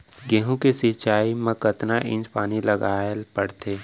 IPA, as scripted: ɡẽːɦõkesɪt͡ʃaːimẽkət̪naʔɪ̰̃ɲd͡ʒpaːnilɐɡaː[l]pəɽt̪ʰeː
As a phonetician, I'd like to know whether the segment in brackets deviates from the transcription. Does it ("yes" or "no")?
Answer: no